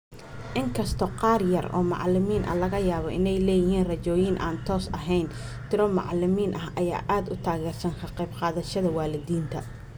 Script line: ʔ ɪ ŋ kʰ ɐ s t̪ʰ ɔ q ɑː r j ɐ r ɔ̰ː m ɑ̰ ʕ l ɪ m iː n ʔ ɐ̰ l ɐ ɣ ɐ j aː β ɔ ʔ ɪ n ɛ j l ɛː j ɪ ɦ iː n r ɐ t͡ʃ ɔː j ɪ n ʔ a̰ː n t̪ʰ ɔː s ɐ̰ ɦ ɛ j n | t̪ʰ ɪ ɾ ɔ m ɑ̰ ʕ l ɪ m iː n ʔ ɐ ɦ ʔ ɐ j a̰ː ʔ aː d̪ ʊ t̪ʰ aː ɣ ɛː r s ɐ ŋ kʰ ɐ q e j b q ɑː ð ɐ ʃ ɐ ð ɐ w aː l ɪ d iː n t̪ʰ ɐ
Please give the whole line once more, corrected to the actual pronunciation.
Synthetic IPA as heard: ʔ ɪ ŋ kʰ ɐ s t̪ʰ ɔ q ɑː r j ɐ r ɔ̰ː m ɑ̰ ʕ l ɪ m iː n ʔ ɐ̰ l ɐ ɣ ɐ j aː β ɔ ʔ ɪ n ɛ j l ɛː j ɪ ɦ iː n r ɐ t͡ʃ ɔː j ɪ n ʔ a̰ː n t̪ʰ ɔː s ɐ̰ ɦ ɛ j n | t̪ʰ ɪ ɾ ɔ m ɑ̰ ʕ l ɪ m iː n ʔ ɐ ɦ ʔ ɐ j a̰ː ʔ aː d̪ ʊ t̪ʰ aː ɣ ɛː r s ɐ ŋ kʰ ɐ q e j b q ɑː ð ɐ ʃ ɐ ð ɐ w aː l ɪ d iː n t̪ʰ ɐ